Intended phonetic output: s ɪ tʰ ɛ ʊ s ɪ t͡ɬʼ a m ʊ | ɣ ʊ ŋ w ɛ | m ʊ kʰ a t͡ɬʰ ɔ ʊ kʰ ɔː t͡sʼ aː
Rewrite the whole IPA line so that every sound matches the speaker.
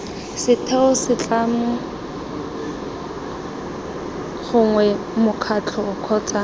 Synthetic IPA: s ɪ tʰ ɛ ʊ s ɪ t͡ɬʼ a m ʊ | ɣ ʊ ŋ w ɛ | m ʊ kʰ a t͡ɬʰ ɔ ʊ kʰ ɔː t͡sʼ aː